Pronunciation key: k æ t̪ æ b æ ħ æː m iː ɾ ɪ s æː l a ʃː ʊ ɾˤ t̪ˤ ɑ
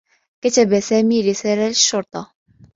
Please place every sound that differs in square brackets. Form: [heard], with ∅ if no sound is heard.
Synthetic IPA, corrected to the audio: k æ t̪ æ b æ [s] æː m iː ɾ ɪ s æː l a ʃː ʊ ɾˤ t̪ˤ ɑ